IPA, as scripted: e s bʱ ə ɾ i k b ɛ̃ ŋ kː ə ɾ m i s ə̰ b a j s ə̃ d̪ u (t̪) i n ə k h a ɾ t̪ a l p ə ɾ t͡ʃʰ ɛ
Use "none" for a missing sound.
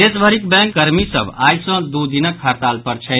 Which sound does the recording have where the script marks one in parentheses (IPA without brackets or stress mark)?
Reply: d̪